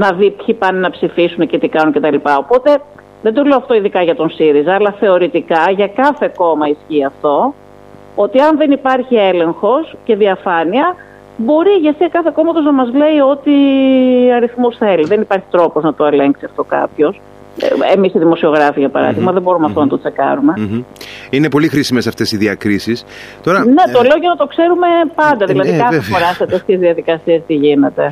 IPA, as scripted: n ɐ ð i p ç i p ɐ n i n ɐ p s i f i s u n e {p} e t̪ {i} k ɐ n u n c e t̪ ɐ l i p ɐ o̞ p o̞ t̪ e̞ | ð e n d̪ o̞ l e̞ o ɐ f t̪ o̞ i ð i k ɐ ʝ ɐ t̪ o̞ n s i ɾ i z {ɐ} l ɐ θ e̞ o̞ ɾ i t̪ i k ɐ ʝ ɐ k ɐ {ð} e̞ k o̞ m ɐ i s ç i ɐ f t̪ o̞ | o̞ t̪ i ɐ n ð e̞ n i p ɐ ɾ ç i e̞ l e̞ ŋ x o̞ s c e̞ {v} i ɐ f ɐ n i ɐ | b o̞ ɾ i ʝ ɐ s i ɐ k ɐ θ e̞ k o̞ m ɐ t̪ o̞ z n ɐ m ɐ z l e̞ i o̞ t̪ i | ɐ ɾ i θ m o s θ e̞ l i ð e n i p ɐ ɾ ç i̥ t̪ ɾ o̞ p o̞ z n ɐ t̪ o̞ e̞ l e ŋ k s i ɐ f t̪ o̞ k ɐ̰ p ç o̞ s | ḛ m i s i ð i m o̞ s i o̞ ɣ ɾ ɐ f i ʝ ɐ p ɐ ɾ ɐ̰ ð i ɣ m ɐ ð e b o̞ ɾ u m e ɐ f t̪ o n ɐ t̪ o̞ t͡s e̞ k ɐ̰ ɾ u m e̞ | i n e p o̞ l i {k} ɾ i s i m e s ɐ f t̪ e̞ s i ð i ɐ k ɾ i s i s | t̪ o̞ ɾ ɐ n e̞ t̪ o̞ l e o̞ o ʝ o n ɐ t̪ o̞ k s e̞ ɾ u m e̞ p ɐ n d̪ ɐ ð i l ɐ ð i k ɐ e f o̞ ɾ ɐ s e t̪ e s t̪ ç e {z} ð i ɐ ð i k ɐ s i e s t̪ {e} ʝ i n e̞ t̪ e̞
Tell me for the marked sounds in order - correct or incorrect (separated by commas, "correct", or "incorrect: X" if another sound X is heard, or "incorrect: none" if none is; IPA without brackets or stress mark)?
incorrect: c, correct, incorrect: ɐː, incorrect: θ, incorrect: ð, incorrect: x, correct, incorrect: i